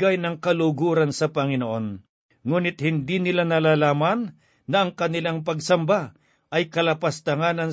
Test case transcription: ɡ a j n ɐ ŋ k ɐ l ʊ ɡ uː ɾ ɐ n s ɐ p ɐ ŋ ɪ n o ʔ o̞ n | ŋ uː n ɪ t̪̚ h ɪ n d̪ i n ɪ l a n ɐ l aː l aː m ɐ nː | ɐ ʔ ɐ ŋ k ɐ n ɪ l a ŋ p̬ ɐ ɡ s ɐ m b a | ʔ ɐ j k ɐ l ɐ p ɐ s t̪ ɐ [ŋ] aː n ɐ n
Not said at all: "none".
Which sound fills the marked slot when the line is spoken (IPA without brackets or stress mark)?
ŋ